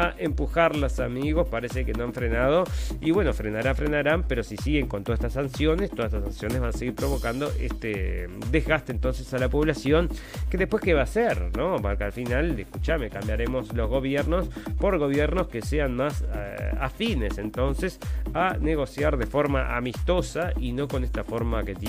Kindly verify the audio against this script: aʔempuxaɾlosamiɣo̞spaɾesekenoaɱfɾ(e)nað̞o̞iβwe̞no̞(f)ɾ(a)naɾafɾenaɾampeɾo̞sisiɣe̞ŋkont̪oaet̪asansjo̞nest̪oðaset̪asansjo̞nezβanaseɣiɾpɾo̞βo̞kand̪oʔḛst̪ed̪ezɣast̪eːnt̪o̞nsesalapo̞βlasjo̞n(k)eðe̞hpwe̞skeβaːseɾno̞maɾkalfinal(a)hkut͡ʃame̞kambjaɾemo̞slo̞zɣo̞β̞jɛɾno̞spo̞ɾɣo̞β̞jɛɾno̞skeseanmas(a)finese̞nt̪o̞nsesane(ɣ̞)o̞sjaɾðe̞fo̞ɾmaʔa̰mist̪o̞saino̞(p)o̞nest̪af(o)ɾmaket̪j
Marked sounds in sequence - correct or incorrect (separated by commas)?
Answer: correct, correct, incorrect, correct, incorrect, correct, correct, incorrect, correct